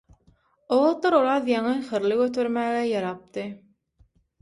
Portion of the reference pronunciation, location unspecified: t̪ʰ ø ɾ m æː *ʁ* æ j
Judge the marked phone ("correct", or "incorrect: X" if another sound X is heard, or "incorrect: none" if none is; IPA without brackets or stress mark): incorrect: ɣ